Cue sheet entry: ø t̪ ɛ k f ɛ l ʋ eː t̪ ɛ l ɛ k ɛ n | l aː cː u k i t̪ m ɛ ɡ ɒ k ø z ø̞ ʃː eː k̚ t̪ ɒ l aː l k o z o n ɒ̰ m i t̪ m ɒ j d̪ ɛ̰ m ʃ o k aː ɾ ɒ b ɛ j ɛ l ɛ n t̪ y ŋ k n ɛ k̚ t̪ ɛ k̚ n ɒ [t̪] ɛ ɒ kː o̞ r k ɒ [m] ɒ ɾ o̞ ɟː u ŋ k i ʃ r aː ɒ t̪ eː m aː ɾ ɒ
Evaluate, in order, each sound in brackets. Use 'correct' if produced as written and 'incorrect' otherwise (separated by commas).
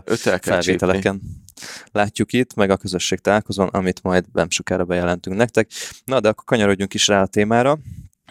incorrect, incorrect